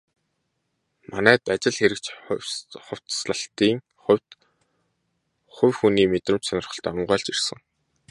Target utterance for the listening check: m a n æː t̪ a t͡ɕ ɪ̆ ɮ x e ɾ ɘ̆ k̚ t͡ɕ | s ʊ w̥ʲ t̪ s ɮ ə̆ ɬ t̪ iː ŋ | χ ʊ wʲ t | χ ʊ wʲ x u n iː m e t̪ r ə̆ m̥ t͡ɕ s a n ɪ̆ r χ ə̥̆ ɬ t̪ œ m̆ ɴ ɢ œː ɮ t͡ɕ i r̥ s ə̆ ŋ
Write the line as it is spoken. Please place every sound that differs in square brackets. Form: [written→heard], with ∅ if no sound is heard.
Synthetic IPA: m a n æː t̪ a t͡ɕ ɪ̆ ɮ x e ɾ ɘ̆ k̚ t͡ɕ | [s→χ] ʊ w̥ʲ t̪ s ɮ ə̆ ɬ t̪ iː ŋ | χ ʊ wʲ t | χ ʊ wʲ x u n iː m e t̪ r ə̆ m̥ t͡ɕ s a n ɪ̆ r χ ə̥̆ ɬ t̪ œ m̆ ɴ ɢ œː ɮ t͡ɕ i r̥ s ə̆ ŋ